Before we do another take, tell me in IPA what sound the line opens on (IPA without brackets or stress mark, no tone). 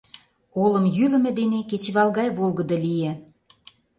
o